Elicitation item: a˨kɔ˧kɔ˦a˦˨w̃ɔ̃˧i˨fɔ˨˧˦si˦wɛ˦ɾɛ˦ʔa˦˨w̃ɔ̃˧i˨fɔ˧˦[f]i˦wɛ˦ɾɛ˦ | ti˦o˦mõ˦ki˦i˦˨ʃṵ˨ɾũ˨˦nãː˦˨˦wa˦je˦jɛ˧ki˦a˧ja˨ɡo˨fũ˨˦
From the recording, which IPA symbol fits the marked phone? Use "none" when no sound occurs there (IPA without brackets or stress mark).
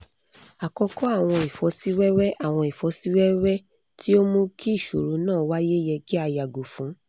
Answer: s